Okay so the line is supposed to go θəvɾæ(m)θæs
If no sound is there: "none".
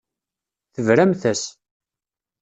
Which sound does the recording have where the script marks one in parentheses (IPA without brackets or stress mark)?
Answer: m